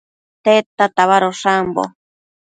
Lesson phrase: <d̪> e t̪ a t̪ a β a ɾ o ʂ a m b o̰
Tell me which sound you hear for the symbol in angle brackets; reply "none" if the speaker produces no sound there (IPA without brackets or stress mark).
t̪